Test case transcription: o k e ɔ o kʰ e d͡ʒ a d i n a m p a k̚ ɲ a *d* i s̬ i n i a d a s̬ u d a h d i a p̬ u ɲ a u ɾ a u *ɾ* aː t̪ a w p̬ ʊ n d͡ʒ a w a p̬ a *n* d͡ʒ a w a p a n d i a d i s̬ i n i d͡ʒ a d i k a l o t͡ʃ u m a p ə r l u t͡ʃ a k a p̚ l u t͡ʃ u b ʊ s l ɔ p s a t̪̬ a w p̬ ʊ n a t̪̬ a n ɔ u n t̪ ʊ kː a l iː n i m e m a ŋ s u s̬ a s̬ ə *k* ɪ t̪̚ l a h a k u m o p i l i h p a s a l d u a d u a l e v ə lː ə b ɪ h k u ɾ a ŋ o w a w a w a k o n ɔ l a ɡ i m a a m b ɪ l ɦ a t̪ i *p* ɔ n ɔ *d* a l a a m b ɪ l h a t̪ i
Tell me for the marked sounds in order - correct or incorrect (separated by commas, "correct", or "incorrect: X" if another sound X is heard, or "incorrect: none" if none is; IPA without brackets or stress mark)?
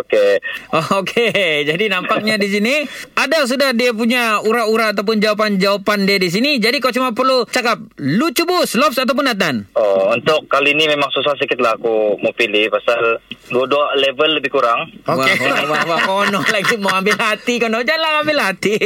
correct, correct, correct, correct, incorrect: k, incorrect: d͡ʒ